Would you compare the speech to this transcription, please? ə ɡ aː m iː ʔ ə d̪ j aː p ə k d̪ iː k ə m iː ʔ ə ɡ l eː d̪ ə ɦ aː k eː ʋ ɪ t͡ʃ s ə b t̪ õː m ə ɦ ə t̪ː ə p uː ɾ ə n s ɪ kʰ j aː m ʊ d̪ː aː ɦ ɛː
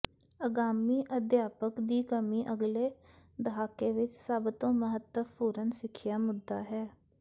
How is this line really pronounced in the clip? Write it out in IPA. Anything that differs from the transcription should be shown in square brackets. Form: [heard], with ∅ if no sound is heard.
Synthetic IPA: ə ɡ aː m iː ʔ ə d̪ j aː p ə k d̪ iː k ə m iː ʔ ə ɡ l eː d̪ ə ɦ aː k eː ʋ ɪ t͡ʃ s ə b t̪ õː m ə ɦ ə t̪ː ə p uː ɾ ə n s ɪ kʰ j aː m ʊ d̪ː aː ɦ ɛː

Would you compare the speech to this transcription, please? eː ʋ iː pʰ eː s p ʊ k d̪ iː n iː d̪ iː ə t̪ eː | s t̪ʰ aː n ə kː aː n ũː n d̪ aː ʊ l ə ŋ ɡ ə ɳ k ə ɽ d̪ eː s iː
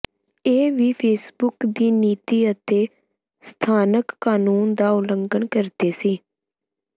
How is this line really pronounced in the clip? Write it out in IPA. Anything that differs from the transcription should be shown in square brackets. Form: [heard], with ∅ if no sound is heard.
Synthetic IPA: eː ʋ iː pʰ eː s [b] ʊ k d̪ iː n iː [t̪] iː ə t̪ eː | s t̪ʰ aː n ə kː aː n [uː] n d̪ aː ʊ l ə ŋ ɡ ə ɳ k ə [ɾ] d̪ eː s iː

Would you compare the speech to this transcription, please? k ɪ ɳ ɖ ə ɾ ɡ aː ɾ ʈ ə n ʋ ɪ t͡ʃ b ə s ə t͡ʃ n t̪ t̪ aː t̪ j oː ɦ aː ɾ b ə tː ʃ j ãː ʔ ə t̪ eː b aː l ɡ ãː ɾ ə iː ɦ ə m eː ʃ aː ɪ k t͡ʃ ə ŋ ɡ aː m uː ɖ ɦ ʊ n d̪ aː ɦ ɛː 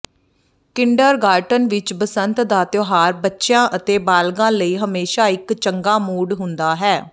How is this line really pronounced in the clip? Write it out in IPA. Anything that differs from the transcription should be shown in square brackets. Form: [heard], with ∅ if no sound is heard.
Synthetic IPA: k ɪ ɳ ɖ ə ɾ ɡ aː ɾ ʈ ə n ʋ ɪ t͡ʃ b ə s ə [∅] n t̪ [d̪] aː t̪ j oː ɦ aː ɾ b ə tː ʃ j ãː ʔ ə t̪ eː b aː l ɡ ãː [l] ə iː ɦ ə m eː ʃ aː ɪ k t͡ʃ ə ŋ ɡ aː m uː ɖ ɦ ʊ n d̪ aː ɦ ɛː

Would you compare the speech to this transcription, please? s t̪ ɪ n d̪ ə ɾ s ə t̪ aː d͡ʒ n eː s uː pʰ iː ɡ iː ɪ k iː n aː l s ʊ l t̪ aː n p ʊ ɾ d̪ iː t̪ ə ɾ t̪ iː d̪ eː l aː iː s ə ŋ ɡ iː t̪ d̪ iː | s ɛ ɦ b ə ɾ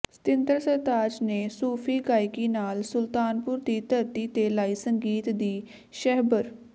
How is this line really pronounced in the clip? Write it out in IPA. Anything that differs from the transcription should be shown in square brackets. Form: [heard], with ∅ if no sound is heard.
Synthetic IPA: s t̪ ɪ n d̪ ə ɾ s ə t̪ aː d͡ʒ n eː s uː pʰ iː ɡ [aː] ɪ k iː n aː l s ʊ l t̪ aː n p ʊ ɾ d̪ iː t̪ ə ɾ t̪ iː [t̪] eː l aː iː s ə ŋ ɡ iː t̪ d̪ iː | [ʃ] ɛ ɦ b ə ɾ

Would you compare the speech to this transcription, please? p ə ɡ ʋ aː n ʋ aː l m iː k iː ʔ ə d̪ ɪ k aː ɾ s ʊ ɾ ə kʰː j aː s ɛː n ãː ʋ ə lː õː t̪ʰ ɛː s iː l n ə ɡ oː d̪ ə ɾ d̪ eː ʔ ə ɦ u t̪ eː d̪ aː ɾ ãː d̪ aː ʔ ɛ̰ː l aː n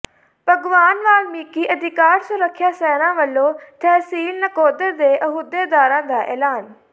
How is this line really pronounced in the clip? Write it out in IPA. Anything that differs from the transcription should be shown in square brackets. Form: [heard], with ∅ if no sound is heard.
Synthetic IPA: p ə ɡ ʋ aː n ʋ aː l m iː k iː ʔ ə d̪ ɪ k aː ɾ s ʊ ɾ ə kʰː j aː s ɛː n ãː ʋ ə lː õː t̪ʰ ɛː s iː l n ə [k] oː d̪ ə ɾ d̪ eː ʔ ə ɦ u [d̪] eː d̪ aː ɾ ãː d̪ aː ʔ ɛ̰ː l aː n

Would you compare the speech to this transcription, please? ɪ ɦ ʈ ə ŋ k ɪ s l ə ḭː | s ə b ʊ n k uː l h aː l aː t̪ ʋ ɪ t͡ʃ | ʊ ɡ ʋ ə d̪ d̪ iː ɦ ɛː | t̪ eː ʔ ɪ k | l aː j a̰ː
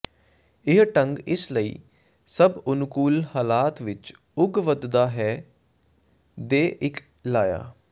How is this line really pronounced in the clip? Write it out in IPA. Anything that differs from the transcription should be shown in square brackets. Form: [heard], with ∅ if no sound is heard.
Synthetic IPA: ɪ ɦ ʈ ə ŋ [ɡ] ɪ s l ə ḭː | s ə b ʊ n k uː l h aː l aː t̪ ʋ ɪ t͡ʃ | ʊ ɡ ʋ ə d̪ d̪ [aː] ɦ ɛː | [d̪] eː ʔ ɪ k | l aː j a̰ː

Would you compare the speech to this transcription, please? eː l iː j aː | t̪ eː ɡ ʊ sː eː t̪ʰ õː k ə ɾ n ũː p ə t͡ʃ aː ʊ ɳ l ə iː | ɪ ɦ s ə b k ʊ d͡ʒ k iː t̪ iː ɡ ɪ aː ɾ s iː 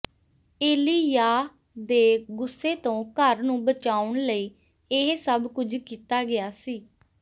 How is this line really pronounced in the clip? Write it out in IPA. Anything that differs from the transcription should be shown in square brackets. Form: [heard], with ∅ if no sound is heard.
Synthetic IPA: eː l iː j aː | [d̪] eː ɡ ʊ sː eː [t̪] õː k ə ɾ n ũː [b] ə t͡ʃ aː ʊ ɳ l ə iː | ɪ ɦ s ə b k ʊ d͡ʒ k iː t̪ [aː] ɡ ɪ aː [∅] s iː

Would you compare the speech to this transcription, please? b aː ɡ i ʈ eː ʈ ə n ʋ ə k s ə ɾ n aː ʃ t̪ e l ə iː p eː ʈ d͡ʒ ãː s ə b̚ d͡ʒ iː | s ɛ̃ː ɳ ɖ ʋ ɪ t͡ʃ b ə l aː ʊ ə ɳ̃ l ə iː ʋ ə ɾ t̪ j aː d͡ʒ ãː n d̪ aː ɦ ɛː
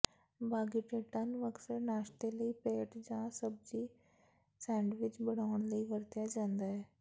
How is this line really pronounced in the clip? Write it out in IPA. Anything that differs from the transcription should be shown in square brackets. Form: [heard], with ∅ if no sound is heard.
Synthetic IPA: b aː ɡ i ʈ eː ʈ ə n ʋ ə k s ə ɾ n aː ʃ t̪ e l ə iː p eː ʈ d͡ʒ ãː s ə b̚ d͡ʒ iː | s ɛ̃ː ɳ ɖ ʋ ɪ t͡ʃ b ə [ɽ] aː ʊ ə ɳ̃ l ə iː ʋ ə ɾ t̪ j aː d͡ʒ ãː n d̪ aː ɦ ɛː

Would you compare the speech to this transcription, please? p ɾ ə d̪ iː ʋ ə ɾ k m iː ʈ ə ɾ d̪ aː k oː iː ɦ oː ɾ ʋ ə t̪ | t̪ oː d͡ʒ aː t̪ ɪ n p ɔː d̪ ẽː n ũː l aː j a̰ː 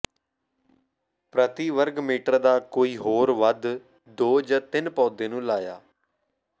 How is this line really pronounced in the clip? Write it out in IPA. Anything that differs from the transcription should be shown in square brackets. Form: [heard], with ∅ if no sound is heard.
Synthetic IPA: p ɾ ə [t̪] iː ʋ ə ɾ [ɡ] m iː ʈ ə ɾ d̪ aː k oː iː ɦ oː ɾ ʋ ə [d̪] | [d̪] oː d͡ʒ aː t̪ ɪ n p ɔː d̪ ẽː n ũː l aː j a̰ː

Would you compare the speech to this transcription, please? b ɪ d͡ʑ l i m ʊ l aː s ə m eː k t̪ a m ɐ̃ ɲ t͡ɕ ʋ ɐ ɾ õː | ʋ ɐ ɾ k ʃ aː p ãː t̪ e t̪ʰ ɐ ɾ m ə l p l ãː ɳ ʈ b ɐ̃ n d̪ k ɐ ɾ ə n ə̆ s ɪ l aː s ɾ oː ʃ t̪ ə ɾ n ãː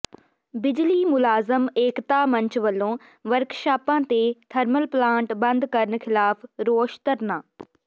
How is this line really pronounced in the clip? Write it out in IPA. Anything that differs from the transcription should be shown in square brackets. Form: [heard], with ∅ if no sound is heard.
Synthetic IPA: b ɪ d͡ʑ l i m ʊ l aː [z] ə m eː k t̪ a m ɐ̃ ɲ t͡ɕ ʋ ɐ [l] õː | ʋ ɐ ɾ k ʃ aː p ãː t̪ e t̪ʰ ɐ ɾ m ə l p l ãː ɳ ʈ b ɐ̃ n d̪ k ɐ ɾ ə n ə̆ [x] ɪ l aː [f] ɾ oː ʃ t̪ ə ɾ n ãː

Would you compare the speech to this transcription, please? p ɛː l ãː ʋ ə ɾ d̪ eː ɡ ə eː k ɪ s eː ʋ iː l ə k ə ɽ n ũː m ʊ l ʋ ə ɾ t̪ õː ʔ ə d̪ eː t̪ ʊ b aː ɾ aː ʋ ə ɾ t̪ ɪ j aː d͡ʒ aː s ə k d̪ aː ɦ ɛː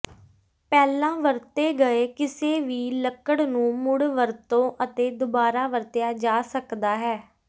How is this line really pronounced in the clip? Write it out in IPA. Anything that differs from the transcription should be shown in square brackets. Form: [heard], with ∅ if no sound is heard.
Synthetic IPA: p ɛː l ãː ʋ ə ɾ [t̪] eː ɡ ə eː k ɪ s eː ʋ iː l ə k ə ɽ n ũː m ʊ [ɽ] ʋ ə ɾ t̪ õː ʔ ə [t̪] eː [d̪] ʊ b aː ɾ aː ʋ ə ɾ t̪ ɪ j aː d͡ʒ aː s ə k d̪ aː ɦ ɛː

